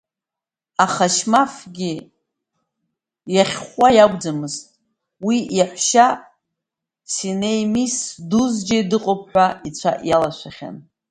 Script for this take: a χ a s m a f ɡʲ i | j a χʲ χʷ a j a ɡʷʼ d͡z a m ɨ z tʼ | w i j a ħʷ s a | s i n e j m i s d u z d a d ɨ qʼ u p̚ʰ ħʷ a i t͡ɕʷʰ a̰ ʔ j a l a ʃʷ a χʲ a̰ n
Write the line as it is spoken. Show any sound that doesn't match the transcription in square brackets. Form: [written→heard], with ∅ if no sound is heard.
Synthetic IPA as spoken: a χ a [s→ʃ] m a f ɡʲ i | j a χʲ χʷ a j a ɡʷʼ d͡z a m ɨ z tʼ | w i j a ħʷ [s→ʃ] a | s i n e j m i s d u z [d→d͡ʒ] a d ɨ qʼ [u→o] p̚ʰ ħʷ a i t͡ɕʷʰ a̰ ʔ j a l a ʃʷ a χʲ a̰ n